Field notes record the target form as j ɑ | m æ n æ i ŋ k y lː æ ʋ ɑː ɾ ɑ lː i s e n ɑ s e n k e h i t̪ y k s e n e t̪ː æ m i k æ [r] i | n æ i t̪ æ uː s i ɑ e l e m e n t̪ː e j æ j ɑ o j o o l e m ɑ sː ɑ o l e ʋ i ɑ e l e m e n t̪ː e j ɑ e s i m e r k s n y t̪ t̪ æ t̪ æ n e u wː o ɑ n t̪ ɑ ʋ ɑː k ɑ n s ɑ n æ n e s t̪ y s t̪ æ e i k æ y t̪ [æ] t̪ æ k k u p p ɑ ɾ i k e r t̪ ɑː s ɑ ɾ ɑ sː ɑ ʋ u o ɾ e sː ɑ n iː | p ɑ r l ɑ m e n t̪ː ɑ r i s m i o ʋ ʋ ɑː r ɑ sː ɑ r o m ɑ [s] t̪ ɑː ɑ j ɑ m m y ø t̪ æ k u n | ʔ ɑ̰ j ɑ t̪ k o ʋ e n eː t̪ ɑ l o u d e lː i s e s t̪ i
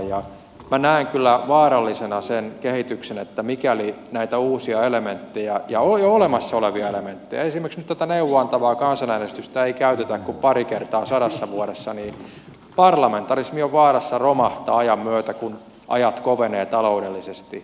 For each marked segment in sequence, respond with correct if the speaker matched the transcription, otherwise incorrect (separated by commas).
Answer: incorrect, incorrect, incorrect